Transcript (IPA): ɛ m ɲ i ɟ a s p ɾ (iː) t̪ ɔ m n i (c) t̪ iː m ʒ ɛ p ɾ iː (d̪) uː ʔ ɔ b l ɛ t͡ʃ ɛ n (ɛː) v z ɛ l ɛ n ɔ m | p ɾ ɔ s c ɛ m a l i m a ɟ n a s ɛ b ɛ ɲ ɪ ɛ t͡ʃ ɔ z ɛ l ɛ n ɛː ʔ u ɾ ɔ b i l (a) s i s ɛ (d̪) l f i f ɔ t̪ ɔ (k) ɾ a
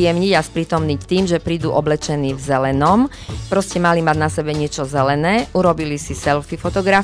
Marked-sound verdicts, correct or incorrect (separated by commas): correct, correct, correct, incorrect, incorrect, incorrect, incorrect